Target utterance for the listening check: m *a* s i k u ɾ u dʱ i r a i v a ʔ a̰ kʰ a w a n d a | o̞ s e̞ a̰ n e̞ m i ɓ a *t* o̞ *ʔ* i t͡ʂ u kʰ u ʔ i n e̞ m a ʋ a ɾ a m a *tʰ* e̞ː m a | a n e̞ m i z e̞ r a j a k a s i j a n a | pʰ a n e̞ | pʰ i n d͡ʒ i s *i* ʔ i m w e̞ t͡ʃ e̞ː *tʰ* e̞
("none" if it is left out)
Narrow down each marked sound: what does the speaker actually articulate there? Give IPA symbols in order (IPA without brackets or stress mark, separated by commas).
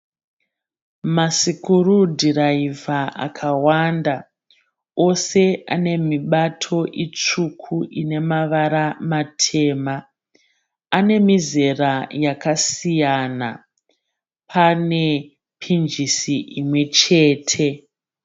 a, tʰ, ʔ, tʰ, i, tʰ